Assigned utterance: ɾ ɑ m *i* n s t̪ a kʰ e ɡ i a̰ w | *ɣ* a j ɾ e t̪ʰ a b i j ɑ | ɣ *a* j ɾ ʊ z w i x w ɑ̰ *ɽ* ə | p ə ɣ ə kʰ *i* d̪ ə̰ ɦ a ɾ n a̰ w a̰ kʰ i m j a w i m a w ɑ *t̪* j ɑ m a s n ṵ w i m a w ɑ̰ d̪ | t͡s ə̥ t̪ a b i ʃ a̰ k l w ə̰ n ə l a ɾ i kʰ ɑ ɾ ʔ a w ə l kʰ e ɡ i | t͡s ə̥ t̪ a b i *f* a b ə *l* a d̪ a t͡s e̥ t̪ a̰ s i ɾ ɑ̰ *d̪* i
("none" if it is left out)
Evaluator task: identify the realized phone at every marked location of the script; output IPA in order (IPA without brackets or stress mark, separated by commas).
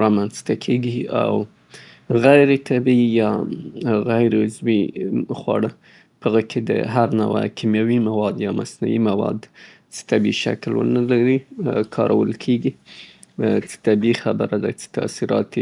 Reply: a, ɣ, a, ɽ, e, d̪, x, ɾ, t̪